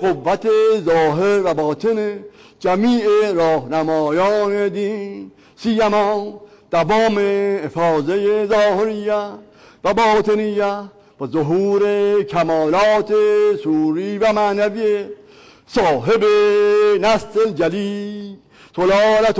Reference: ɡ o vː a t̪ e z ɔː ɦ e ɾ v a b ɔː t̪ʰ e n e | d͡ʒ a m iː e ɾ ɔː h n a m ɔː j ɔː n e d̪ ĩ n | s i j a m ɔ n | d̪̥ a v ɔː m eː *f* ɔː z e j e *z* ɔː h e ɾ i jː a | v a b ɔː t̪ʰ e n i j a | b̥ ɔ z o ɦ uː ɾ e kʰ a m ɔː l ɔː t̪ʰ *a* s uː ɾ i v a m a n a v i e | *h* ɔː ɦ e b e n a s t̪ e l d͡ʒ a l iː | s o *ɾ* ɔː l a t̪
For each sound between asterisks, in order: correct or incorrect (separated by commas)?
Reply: correct, correct, incorrect, incorrect, incorrect